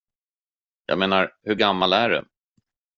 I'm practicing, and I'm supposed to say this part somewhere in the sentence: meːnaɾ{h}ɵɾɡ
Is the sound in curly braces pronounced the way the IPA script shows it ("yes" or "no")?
yes